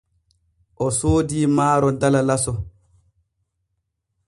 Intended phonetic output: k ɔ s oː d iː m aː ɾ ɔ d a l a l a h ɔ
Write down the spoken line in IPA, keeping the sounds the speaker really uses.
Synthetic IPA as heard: ʔ ɔ s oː d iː m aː ɾ ɔ d a l a l a s ɔ